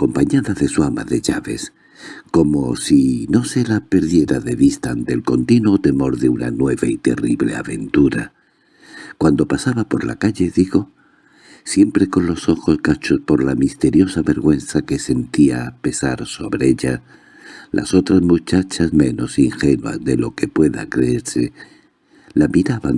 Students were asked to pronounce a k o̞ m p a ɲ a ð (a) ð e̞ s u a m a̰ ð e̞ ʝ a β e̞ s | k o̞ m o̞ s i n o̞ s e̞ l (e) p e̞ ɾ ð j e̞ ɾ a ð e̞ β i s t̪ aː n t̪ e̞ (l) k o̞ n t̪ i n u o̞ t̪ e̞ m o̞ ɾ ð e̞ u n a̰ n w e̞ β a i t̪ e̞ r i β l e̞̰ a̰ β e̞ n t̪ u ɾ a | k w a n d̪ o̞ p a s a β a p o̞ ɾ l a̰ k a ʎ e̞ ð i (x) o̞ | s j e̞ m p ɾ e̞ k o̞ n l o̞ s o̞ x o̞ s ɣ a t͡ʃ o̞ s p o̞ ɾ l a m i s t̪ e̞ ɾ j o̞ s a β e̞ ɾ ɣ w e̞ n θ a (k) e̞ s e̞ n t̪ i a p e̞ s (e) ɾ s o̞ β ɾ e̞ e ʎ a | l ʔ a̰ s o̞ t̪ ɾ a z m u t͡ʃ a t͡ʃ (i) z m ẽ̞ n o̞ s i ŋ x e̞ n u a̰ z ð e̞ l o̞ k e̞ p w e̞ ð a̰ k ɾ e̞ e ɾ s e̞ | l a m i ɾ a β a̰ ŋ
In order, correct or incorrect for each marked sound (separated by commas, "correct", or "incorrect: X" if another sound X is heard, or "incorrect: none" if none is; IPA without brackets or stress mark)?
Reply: correct, incorrect: a, correct, incorrect: ɣ, correct, incorrect: a, incorrect: a